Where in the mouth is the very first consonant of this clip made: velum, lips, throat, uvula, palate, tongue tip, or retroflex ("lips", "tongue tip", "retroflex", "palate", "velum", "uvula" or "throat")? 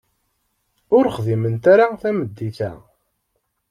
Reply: tongue tip